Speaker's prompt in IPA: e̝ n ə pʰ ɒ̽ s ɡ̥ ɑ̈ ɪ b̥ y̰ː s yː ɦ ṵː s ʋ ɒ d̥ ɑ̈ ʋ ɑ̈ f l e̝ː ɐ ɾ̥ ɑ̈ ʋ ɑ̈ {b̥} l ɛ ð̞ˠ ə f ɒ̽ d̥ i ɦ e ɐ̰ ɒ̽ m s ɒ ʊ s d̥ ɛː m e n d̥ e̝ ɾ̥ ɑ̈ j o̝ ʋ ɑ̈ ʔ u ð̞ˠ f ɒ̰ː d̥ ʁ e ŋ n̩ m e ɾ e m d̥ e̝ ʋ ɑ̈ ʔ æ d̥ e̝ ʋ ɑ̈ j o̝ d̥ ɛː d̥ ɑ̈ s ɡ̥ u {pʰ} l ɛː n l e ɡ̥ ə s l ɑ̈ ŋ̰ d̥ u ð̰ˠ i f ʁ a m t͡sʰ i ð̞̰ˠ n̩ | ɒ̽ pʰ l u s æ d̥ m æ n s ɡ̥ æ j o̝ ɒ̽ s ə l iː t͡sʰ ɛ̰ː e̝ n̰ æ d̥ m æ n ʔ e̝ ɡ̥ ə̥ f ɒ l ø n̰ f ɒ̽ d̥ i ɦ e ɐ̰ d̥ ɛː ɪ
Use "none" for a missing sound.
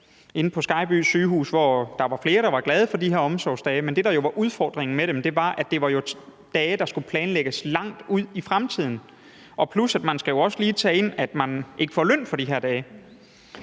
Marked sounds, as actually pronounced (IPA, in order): ɡ̥, pʰ

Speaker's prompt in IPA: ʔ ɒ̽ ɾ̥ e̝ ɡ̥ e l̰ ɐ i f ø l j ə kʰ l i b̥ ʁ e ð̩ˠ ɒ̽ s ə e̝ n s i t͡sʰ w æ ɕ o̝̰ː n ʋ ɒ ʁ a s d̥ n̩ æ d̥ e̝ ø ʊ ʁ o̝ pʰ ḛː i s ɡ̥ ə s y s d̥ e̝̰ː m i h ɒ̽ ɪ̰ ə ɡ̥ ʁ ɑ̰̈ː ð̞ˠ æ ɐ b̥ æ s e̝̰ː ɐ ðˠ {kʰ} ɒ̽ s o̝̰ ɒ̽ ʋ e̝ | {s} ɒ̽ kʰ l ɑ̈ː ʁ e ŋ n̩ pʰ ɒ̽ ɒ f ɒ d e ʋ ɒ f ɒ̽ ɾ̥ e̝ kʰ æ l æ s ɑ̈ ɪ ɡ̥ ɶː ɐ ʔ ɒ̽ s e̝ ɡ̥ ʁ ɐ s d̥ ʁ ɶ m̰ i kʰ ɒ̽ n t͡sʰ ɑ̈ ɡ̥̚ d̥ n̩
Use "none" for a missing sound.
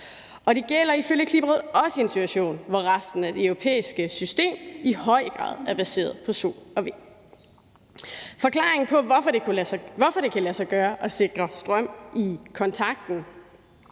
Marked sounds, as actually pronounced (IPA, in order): pʰ, f

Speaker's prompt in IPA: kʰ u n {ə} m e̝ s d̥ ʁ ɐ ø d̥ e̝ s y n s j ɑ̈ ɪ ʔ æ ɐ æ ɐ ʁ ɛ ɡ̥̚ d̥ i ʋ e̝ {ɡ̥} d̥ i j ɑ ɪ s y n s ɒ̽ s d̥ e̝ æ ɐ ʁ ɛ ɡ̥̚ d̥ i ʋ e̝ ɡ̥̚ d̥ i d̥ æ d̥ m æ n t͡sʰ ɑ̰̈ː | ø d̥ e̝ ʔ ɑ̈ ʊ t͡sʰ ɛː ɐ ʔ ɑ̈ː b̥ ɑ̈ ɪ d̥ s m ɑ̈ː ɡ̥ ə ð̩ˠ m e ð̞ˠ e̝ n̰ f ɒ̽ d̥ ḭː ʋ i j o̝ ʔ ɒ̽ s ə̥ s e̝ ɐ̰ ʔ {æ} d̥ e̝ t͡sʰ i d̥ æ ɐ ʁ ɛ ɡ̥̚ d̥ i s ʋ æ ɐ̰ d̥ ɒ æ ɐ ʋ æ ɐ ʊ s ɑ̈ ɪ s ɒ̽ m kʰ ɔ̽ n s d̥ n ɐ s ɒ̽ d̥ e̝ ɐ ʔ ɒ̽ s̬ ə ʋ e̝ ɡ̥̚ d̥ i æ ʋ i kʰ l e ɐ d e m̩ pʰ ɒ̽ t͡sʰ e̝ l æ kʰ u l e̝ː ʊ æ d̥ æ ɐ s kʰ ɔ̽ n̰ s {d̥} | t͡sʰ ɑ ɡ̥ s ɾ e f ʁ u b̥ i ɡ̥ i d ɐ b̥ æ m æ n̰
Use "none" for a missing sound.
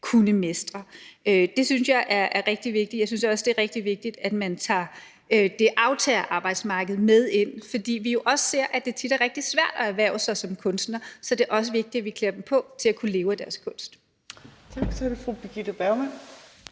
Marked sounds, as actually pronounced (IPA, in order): ə, ɡ̥, æ, d̥

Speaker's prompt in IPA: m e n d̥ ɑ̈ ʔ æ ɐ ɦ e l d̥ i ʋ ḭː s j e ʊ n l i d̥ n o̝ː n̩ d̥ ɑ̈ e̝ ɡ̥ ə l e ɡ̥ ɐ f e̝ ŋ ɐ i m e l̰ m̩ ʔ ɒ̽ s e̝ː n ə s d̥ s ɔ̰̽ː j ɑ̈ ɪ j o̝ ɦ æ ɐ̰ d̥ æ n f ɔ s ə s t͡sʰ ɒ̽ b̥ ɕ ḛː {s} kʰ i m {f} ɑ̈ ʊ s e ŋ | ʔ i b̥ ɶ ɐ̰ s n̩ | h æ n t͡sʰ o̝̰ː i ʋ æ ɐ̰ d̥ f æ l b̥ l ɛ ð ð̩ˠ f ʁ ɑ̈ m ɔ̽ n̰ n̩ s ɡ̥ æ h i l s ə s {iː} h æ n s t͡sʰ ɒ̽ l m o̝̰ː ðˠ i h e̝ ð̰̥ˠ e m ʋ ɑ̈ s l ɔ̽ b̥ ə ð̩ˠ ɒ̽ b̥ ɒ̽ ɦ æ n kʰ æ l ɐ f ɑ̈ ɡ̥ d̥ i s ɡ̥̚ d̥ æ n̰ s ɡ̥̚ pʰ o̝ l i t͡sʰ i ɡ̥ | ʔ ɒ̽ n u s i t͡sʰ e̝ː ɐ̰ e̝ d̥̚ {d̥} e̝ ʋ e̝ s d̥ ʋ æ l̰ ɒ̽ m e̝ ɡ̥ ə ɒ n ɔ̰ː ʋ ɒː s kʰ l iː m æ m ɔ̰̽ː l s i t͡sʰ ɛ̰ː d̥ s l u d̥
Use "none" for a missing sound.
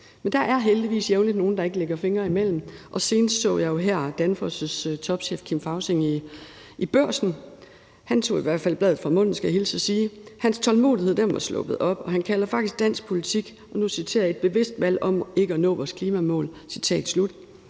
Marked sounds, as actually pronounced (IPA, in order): f, f, iː, b̥

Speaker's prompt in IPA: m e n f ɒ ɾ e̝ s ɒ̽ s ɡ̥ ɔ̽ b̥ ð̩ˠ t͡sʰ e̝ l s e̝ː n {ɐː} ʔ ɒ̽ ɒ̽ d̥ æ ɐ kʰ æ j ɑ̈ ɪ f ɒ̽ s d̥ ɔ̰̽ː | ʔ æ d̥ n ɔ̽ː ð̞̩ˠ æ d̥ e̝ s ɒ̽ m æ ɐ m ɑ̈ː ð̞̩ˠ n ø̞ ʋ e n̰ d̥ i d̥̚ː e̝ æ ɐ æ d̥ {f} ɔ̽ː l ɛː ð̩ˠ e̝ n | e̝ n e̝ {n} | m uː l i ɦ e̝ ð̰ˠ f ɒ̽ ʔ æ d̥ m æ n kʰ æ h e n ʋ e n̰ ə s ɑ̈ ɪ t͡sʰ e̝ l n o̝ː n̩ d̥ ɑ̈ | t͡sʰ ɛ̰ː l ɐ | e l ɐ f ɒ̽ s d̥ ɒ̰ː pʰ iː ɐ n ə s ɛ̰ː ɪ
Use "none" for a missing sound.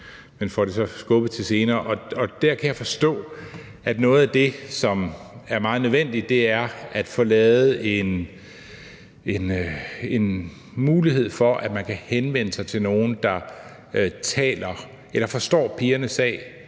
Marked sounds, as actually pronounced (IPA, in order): ɐː, f, n

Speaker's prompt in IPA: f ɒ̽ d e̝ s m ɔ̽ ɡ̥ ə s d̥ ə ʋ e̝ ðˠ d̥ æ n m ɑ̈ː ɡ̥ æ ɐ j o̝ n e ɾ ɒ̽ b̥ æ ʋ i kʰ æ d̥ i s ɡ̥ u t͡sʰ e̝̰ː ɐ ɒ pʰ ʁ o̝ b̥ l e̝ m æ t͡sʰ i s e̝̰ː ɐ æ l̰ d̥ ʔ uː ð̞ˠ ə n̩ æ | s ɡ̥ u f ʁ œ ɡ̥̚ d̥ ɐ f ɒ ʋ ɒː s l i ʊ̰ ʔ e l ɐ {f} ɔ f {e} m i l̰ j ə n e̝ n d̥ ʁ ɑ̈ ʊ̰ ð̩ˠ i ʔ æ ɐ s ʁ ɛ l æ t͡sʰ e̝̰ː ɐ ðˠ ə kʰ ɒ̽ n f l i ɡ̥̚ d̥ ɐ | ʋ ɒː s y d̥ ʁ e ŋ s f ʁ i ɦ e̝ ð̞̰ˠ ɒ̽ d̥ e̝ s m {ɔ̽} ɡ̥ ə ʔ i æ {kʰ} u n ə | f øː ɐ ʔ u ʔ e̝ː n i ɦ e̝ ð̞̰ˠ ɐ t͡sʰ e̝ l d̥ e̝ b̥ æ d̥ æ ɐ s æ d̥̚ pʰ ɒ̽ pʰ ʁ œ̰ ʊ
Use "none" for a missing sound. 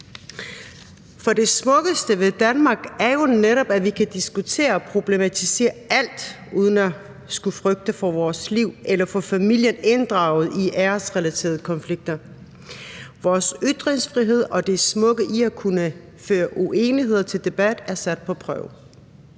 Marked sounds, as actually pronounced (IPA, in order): f, æ, ɔ̽, kʰ

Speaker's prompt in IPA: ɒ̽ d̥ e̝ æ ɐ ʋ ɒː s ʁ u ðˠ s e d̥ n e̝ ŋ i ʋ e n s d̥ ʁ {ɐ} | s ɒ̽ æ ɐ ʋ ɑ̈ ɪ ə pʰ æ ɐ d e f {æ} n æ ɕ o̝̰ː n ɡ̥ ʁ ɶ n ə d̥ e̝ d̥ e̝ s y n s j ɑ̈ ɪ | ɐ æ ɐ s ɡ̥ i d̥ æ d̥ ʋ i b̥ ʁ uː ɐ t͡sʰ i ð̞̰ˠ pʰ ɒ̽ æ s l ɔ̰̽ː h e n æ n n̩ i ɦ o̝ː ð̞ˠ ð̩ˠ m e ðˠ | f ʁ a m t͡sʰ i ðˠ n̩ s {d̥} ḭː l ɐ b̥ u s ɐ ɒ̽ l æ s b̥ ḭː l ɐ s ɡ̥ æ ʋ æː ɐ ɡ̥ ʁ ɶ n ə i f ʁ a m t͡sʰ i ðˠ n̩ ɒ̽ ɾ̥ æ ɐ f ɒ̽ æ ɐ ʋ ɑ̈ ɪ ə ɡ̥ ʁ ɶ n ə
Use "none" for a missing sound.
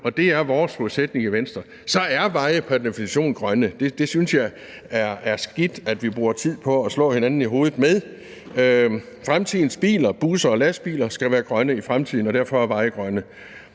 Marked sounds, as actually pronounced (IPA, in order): ɐ, i, b̥

